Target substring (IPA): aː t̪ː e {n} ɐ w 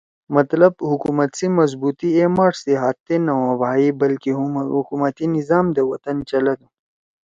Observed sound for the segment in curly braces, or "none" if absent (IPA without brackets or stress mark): n